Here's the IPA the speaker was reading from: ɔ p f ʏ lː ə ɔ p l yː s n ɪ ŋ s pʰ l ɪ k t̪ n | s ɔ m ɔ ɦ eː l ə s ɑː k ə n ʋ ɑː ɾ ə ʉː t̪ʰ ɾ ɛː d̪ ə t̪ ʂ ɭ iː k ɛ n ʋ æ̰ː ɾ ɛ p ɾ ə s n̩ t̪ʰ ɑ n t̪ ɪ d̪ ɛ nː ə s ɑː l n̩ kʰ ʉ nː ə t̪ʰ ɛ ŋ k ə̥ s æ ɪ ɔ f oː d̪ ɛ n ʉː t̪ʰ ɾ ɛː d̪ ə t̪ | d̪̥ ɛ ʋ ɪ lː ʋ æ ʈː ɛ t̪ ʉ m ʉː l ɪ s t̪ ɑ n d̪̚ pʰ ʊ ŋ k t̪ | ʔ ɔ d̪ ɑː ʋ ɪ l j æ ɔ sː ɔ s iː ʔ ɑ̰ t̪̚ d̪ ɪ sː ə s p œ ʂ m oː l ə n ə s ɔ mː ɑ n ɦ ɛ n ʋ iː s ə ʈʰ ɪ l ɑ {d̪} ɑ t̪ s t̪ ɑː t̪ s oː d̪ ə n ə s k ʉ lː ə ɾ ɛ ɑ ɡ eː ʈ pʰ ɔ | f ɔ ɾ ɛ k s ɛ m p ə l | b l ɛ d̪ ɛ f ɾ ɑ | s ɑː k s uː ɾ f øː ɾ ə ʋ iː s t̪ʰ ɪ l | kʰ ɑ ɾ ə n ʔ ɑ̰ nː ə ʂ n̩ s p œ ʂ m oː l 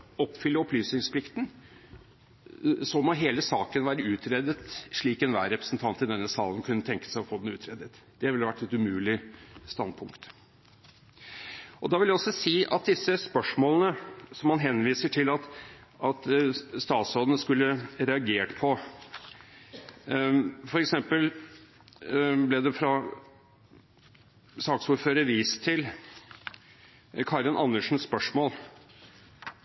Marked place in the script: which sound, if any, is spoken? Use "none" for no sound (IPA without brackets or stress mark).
t̪